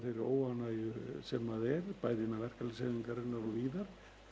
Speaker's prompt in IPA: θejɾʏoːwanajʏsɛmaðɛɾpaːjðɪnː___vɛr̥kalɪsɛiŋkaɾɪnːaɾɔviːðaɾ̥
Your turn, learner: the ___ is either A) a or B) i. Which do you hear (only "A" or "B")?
A